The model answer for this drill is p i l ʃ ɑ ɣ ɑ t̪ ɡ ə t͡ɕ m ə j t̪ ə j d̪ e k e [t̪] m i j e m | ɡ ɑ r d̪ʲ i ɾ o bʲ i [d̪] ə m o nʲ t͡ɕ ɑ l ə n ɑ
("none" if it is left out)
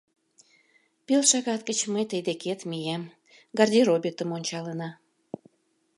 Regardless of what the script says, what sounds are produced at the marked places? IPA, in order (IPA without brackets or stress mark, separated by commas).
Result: t̪, t̪